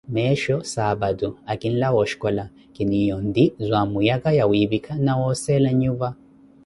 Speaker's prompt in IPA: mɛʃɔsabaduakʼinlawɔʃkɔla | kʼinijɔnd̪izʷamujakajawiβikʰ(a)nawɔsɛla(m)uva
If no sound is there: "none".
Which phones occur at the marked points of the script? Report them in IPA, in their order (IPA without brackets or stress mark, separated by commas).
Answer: a, ɲ